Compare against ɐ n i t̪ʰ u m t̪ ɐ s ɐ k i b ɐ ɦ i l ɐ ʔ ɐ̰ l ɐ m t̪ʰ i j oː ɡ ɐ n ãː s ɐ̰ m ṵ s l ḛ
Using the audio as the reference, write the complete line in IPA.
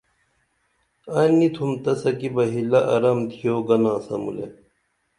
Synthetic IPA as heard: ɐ n i t̪ʰ u m t̪ ɐ s ɐ k i b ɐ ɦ i l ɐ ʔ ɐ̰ ɾ ɐ m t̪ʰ i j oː ɡ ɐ n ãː s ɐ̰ m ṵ l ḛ